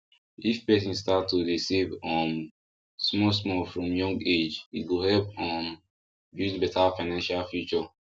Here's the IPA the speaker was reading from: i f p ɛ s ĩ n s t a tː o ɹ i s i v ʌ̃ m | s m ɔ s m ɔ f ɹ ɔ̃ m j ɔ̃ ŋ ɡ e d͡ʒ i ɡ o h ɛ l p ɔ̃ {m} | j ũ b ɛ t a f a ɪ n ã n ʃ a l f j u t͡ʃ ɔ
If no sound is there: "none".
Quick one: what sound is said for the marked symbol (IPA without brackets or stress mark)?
m